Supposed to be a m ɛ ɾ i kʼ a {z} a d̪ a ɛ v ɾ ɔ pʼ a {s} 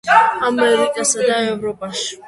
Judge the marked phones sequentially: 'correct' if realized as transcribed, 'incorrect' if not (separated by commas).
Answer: incorrect, incorrect